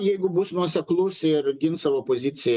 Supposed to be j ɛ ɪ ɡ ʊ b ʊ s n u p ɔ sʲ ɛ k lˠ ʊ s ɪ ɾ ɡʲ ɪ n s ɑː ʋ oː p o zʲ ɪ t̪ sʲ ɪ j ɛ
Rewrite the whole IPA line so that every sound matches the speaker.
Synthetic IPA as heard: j ɛ ɪ ɡ ʊ b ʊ s n u ɔ sʲ ɛ k lˠ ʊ s ɪ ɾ ɡʲ ɪ n s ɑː ʋ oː p o zʲ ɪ t̪ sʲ ɪ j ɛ